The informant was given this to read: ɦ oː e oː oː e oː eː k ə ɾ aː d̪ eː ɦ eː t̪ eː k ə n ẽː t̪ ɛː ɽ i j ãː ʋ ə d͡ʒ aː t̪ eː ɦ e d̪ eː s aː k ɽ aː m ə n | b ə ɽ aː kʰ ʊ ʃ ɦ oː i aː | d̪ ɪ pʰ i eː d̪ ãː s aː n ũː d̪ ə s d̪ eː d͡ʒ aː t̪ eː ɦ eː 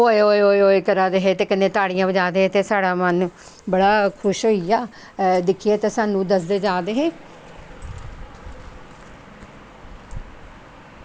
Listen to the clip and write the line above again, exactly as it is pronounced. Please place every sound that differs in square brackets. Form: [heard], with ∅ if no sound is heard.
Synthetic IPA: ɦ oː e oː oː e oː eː k ə ɾ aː d̪ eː ɦ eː t̪ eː k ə n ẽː t̪ [aː] ɽ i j ãː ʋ ə d͡ʒ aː [d̪] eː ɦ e [t̪] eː s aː [∅] ɽ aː m ə n | b ə ɽ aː kʰ ʊ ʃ ɦ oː i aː | d̪ ɪ [kʰ] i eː [t̪] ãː s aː n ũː d̪ ə s d̪ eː d͡ʒ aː [d̪] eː ɦ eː